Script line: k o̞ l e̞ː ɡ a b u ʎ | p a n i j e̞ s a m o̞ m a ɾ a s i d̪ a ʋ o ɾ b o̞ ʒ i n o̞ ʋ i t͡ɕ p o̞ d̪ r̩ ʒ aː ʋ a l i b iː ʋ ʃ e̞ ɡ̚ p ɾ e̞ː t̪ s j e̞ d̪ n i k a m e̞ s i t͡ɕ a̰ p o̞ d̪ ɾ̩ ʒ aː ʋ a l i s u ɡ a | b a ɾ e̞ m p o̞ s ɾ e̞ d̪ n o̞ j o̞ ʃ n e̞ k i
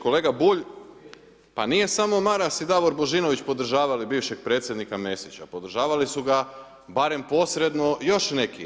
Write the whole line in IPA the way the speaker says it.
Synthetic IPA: k o̞ l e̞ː ɡ a b u ʎ | p a n i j e̞ s a m o̞ m a ɾ a s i d̪ a ʋ o ɾ b o̞ ʒ i n o̞ ʋ i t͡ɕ p o̞ d̪ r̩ ʒ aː ʋ a l i b iː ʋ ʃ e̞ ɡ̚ p ɾ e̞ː t̪ s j e̞ d̪ n i k a m e̞ s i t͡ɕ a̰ p o̞ d̪ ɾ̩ ʒ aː ʋ a l i s u ɡ a | b a ɾ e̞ m p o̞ s ɾ e̞ d̪ n o̞ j o̞ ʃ n e̞ k i